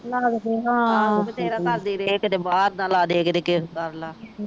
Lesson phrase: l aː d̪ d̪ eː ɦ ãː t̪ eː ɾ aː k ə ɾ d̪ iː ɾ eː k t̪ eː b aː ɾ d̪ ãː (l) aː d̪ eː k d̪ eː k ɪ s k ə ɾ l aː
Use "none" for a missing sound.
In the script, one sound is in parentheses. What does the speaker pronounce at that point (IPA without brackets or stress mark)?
l